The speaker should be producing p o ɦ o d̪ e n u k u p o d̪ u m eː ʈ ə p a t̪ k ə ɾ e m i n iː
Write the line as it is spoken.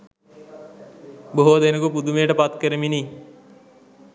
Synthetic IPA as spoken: b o ɦ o d̪ e n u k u p u d̪ u m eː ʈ ə p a t̪ k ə ɾ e m i n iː